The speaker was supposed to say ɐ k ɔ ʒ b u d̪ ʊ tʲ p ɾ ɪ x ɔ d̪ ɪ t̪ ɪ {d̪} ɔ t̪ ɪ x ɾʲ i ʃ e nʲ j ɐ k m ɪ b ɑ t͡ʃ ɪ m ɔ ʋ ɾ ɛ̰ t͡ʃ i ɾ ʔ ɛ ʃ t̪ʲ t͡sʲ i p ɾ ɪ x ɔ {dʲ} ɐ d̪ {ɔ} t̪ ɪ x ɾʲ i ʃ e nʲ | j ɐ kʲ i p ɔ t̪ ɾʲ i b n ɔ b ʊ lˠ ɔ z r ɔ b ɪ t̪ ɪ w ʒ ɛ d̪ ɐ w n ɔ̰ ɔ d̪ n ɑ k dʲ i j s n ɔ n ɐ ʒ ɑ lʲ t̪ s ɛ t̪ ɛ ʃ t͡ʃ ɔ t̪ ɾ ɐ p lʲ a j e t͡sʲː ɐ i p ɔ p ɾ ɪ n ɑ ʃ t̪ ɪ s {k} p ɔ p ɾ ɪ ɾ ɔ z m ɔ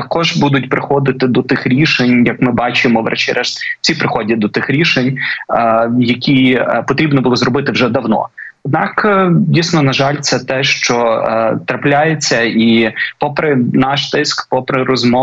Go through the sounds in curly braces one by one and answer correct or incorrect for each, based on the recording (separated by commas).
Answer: correct, correct, correct, correct